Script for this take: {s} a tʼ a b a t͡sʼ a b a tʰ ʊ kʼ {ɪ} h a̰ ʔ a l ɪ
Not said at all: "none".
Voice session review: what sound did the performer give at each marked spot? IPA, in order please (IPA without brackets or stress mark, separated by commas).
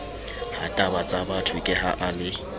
h, ɪ